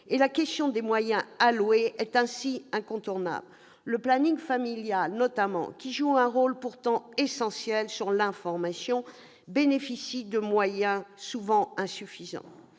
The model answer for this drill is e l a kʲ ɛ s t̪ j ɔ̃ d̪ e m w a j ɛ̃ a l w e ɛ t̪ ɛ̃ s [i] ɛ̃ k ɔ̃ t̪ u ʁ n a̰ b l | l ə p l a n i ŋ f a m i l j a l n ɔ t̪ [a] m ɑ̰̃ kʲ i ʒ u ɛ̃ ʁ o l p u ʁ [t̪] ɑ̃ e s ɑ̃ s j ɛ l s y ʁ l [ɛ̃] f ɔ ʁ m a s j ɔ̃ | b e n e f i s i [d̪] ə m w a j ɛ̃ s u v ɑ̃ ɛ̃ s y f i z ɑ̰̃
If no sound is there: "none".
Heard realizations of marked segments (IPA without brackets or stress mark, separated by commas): i, a, t̪, ɛ̃, d̪